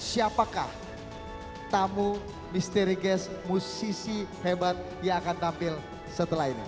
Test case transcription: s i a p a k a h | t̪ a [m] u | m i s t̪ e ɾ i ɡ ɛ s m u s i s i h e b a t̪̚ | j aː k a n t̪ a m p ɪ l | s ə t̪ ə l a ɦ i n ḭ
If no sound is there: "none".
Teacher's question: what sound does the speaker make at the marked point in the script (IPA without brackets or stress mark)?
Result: m